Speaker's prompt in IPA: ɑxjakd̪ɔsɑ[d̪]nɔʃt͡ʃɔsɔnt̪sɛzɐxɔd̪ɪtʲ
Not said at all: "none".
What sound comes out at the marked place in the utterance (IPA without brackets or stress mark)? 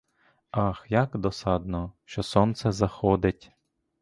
d̪